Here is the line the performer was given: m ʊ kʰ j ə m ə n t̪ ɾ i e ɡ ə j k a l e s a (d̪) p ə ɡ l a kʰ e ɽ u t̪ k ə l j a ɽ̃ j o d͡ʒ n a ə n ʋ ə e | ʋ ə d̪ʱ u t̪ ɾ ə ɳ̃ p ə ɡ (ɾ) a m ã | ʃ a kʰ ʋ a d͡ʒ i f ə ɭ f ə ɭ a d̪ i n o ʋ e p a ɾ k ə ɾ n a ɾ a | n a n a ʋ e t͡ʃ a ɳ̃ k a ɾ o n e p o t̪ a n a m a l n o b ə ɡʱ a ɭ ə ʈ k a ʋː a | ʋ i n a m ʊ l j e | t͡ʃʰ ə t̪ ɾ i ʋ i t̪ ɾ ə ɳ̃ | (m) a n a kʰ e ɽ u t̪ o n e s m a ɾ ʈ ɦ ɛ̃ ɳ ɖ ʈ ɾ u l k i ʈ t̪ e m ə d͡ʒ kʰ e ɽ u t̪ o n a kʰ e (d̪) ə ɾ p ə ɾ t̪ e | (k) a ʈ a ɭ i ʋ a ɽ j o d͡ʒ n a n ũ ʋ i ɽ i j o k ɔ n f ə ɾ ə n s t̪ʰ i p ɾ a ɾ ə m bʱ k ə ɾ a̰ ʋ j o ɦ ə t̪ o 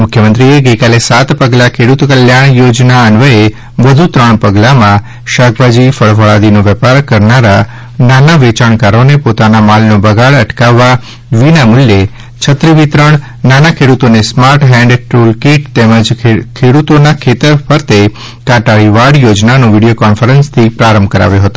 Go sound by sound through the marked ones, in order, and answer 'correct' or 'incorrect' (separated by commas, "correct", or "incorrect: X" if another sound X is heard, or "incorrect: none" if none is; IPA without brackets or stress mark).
incorrect: t̪, incorrect: l, incorrect: n, incorrect: t̪, correct